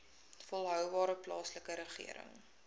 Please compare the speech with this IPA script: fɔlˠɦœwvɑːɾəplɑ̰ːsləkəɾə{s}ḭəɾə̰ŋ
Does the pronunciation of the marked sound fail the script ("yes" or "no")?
yes